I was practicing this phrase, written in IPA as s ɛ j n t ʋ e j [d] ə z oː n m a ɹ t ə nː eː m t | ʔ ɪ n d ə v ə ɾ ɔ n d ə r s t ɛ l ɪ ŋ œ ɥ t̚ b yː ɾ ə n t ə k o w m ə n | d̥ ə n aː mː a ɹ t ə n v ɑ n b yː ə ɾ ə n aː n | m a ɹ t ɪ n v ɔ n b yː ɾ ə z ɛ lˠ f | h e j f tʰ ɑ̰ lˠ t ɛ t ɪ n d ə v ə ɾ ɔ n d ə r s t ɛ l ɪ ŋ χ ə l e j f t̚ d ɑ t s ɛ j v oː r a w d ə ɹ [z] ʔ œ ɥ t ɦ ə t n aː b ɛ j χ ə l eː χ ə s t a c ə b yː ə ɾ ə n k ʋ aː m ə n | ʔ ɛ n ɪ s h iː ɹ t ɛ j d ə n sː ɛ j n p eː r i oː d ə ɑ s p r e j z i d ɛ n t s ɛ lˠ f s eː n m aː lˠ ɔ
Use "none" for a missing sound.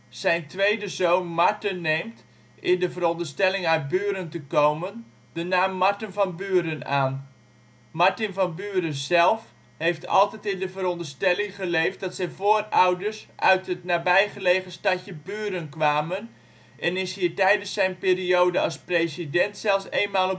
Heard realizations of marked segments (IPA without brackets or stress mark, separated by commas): d, s